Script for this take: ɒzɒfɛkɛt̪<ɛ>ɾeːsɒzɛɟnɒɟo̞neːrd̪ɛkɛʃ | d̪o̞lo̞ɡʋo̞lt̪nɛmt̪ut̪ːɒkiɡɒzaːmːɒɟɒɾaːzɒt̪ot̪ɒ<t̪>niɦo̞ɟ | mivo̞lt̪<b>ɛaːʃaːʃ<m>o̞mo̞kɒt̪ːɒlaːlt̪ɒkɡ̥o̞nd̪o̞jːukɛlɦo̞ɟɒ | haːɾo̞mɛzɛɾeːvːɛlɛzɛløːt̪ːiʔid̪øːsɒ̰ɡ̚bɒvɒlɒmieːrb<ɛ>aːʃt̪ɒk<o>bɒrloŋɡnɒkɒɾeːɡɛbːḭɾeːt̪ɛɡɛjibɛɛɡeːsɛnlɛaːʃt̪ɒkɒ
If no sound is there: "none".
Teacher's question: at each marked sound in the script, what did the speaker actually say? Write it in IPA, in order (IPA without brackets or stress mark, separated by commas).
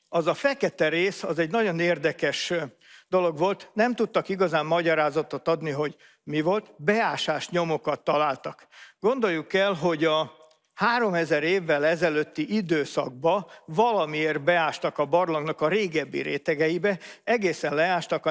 ɛ, d̪, b, ɲ, ɛ, ɒ